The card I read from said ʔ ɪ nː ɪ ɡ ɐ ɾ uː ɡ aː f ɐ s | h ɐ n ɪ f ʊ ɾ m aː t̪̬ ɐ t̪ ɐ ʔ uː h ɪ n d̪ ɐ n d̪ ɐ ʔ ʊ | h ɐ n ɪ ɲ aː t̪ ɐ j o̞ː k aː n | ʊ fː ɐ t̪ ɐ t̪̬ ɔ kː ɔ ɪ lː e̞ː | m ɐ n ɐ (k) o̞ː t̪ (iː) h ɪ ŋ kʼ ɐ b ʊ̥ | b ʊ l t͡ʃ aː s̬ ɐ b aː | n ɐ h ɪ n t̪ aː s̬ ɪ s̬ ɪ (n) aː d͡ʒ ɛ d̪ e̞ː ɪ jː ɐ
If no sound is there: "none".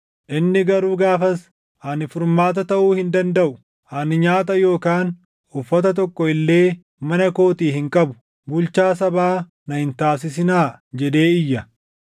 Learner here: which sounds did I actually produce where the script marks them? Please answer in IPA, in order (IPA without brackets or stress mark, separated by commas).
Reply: k, iː, n